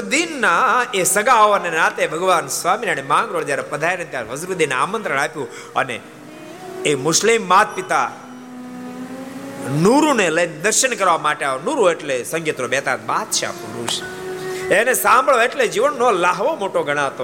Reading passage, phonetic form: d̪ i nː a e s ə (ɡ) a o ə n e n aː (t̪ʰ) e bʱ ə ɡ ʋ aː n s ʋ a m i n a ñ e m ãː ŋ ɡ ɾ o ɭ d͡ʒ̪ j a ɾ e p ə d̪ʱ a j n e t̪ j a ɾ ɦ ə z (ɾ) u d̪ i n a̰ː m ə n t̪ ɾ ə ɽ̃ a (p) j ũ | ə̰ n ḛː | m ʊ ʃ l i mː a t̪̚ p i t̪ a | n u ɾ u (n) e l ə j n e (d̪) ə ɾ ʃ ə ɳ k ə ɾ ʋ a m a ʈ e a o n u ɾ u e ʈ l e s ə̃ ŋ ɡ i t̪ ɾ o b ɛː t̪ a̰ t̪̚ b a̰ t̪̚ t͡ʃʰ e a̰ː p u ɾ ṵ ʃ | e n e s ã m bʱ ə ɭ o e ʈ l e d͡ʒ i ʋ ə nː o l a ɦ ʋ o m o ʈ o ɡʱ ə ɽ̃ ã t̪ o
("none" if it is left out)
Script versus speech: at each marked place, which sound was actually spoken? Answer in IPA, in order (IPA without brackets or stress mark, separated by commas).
ɡ, t̪, ɾ, p, n, d̪